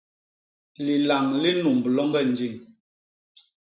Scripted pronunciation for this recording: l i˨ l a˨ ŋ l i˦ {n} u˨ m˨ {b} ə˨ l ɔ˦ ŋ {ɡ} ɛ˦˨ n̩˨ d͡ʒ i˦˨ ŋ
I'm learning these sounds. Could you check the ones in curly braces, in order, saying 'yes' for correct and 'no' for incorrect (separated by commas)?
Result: yes, yes, yes